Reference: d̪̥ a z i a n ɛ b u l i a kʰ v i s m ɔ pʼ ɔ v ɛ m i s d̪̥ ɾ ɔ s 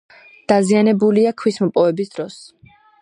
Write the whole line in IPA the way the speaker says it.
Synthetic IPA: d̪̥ a z i a n ɛ b u l i a kʰ w i s m ɔ pʼ ɔ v ɛ b i s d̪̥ ɾ ɔ s